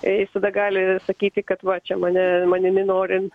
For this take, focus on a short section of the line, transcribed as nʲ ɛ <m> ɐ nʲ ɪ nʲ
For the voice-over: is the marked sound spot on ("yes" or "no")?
yes